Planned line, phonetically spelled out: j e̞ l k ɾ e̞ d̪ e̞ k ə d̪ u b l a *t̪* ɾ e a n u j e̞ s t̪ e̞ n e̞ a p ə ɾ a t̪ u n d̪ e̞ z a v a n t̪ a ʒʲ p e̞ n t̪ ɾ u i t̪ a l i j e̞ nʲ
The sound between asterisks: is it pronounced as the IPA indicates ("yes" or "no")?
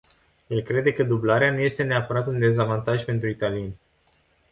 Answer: no